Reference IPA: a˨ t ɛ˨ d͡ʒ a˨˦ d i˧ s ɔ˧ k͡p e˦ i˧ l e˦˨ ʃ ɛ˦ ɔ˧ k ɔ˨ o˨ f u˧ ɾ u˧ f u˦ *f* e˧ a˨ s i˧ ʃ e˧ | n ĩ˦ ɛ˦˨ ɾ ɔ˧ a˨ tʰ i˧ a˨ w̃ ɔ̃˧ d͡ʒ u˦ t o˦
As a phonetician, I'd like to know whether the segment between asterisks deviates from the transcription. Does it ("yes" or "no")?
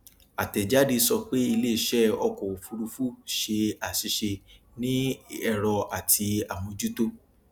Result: yes